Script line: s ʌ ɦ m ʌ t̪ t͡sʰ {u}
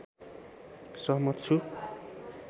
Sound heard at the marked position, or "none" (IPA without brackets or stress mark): u